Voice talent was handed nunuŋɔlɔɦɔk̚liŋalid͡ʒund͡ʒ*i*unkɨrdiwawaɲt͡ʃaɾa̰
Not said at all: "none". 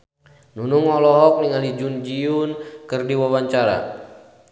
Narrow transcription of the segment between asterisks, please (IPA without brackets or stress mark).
i